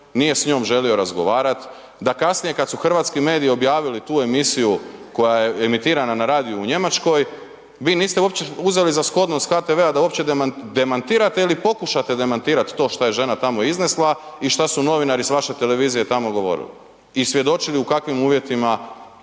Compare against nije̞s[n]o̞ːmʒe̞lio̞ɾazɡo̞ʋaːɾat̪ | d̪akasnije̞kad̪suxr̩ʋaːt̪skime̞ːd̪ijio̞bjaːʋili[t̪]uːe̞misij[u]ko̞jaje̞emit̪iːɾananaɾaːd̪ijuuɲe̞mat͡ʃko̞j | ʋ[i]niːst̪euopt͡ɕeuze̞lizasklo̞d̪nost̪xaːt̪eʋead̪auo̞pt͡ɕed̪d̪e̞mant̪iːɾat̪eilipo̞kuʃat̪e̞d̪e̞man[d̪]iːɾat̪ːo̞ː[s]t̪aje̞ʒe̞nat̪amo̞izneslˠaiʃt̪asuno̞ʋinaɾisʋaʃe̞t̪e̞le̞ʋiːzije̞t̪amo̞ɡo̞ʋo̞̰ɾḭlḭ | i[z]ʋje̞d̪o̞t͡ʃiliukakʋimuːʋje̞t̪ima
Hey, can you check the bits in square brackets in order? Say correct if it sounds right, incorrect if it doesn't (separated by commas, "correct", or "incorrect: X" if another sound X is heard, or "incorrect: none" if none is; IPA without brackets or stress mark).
incorrect: ɲ, correct, correct, incorrect: iː, incorrect: t̪, incorrect: ʃ, incorrect: s